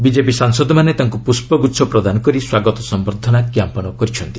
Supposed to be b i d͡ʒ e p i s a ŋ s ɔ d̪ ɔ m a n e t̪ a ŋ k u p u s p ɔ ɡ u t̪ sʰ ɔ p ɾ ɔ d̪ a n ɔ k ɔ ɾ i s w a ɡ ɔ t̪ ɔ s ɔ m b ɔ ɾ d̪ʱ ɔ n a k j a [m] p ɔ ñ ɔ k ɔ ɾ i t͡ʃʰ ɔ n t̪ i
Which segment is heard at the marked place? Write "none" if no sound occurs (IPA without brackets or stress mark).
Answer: m